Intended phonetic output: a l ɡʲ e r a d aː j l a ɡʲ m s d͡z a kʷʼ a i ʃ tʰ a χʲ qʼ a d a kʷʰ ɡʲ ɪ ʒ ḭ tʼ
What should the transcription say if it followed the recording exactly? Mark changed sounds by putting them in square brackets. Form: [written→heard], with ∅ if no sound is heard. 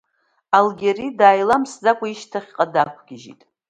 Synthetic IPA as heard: a l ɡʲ e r [a→i] d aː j l a [ɡʲ→∅] m s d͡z a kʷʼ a i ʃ tʰ a χʲ qʼ a d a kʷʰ ɡʲ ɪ ʒ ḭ tʼ